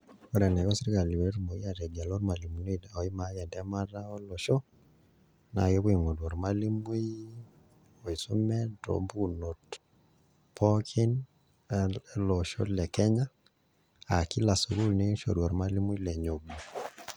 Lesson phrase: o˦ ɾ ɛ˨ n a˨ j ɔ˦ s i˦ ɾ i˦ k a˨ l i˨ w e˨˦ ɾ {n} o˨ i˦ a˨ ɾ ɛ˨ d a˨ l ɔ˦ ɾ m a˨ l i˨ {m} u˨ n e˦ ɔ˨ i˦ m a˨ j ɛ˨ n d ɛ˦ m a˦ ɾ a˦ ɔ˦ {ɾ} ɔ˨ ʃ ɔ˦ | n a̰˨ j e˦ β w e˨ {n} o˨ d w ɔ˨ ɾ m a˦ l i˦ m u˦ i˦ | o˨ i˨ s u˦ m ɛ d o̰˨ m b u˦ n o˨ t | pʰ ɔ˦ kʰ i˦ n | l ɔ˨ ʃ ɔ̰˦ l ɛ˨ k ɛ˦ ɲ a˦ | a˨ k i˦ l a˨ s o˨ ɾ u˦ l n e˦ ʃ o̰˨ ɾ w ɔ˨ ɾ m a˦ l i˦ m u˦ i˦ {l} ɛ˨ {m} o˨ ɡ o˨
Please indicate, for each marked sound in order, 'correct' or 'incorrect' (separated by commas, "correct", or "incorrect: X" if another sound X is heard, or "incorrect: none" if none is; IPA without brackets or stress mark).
incorrect: m, correct, incorrect: l, incorrect: ŋ, correct, incorrect: ɲ